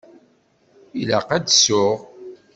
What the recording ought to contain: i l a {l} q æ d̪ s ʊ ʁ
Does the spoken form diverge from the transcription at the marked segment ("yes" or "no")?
yes